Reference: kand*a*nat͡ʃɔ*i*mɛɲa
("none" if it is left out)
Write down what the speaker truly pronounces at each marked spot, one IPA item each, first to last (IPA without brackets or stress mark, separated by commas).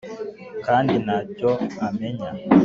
i, a